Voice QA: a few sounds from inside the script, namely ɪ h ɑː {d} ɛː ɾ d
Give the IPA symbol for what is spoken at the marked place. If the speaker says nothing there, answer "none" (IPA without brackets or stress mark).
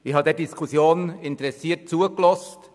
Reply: d